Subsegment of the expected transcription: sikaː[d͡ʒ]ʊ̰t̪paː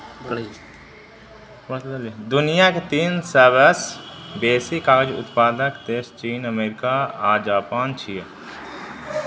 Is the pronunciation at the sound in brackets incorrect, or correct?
correct